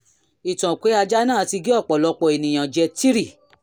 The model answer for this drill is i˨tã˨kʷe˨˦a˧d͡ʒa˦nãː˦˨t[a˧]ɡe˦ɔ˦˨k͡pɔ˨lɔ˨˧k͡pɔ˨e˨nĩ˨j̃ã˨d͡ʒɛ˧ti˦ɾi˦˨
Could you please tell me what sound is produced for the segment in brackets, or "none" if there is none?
i˧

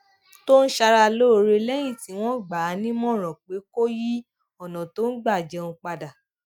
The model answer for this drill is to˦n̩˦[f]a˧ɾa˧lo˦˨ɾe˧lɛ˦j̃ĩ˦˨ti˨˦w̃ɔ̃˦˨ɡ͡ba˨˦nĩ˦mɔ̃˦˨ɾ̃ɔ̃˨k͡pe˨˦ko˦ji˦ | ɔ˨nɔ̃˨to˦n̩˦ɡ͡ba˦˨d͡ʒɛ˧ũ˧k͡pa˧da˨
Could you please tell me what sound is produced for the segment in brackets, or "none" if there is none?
ʃ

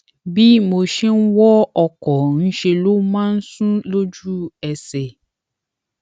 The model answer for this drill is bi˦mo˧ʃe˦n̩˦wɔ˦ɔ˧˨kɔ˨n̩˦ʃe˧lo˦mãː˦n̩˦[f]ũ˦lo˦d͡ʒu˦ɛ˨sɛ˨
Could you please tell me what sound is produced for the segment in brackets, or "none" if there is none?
s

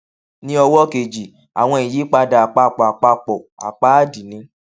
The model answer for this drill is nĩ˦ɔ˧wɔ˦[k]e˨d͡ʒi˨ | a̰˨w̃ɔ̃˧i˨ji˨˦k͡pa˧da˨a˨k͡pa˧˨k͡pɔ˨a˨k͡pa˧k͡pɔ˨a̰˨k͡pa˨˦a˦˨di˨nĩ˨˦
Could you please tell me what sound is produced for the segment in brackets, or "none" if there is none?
k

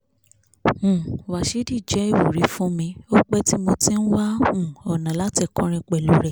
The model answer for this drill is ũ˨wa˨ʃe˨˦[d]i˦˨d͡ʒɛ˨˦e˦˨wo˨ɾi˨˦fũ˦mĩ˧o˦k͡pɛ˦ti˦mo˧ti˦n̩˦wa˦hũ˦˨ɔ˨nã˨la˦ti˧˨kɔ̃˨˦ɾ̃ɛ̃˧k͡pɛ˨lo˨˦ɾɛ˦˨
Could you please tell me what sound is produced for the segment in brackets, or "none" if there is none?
d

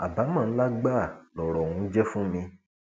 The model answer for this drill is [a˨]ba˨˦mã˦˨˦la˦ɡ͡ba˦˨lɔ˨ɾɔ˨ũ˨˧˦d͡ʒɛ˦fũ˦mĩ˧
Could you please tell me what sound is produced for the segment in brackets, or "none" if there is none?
a˨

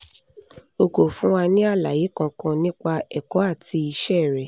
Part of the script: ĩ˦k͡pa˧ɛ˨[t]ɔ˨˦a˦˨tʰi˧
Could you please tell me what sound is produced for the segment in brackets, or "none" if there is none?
k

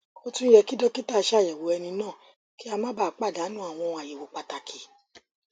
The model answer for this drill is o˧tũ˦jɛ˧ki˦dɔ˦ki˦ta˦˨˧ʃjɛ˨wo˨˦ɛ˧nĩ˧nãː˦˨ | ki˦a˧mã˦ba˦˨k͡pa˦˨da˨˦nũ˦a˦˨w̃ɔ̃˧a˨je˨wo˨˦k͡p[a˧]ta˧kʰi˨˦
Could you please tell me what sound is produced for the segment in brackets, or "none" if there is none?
a˧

